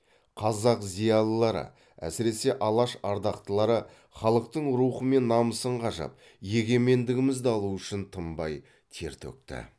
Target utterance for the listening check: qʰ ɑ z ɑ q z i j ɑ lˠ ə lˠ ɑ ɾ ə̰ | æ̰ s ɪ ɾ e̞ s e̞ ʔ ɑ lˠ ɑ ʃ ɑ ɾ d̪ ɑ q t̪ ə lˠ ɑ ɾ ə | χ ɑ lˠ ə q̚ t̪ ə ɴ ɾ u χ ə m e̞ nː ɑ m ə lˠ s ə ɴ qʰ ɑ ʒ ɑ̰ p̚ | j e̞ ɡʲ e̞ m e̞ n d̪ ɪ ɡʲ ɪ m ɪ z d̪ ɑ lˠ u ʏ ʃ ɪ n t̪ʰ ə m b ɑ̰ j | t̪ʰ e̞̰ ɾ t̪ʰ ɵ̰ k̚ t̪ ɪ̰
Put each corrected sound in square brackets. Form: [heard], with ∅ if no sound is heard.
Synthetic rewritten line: qʰ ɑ z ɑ q z i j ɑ lˠ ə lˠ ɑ ɾ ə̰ | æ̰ s ɪ ɾ e̞ s e̞ ʔ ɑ lˠ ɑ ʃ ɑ ɾ d̪ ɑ q t̪ ə lˠ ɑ ɾ ə | χ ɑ lˠ ə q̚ t̪ ə ɴ ɾ u χ ə m e̞ nː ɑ m ə [∅] s ə ɴ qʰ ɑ ʒ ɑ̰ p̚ | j e̞ ɡʲ e̞ m e̞ n d̪ ɪ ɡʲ ɪ m ɪ z d̪ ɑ lˠ u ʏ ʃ ɪ n t̪ʰ ə m b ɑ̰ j | t̪ʰ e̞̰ ɾ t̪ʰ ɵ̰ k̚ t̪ ɪ̰